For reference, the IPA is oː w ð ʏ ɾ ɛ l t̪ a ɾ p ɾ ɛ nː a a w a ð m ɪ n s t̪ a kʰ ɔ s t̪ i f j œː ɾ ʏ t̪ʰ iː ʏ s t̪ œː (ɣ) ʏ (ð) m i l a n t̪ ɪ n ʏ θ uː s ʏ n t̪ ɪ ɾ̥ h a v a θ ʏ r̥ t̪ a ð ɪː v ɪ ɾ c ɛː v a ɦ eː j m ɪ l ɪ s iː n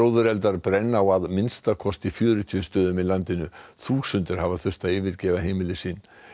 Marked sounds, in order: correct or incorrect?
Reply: incorrect, incorrect

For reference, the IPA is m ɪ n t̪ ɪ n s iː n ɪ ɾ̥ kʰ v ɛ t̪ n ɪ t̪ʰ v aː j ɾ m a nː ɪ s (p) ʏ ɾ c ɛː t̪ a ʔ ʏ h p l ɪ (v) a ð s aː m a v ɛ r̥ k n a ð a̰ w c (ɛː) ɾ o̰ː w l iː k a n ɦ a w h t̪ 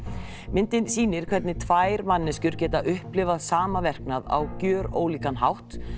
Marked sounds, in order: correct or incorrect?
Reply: incorrect, correct, incorrect

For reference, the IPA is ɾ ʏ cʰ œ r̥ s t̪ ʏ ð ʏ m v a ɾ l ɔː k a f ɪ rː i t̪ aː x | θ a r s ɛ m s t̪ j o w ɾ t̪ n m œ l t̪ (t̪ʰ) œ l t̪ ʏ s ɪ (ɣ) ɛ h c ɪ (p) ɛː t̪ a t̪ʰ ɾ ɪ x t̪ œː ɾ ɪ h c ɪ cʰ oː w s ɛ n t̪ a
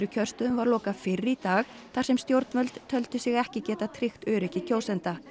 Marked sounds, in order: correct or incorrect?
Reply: correct, correct, incorrect

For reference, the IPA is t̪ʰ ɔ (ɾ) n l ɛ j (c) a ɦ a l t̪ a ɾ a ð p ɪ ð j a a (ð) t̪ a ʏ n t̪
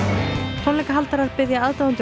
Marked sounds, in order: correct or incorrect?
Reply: incorrect, incorrect, correct

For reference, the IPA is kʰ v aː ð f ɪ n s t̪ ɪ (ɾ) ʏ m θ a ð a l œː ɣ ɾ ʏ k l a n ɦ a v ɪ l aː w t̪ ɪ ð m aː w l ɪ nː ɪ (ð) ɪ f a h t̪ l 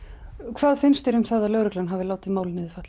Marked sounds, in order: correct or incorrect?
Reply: correct, correct

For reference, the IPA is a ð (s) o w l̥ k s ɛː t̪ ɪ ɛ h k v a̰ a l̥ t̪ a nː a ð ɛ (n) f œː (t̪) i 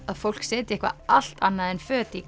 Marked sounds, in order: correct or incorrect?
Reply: incorrect, correct, correct

